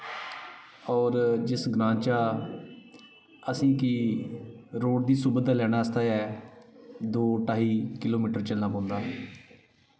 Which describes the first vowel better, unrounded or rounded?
rounded